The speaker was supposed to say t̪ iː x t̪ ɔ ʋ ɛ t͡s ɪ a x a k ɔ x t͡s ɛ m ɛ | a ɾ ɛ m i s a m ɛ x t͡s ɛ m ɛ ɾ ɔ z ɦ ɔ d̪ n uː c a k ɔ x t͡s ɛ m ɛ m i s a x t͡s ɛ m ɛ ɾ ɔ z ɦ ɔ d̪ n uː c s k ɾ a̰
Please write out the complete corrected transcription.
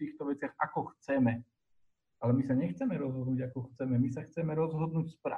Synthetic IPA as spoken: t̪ iː x t̪ ɔ ʋ ɛ t͡s ɪ a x a k ɔ x t͡s ɛ m ɛ | a l ɛ m i s a ɲ ɛ x t͡s ɛ m ɛ ɾ ɔ z ɦ ɔ d̪ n uː ɟ a k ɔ x t͡s ɛ m ɛ m i s a x t͡s ɛ m ɛ ɾ ɔ z ɦ ɔ d̪ n uː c s p ɾ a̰